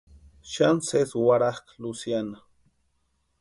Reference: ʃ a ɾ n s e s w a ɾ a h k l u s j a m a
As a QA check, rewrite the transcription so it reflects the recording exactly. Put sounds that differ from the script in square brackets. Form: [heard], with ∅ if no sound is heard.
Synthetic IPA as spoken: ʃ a [∅] n s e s w a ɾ a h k l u s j a [n] a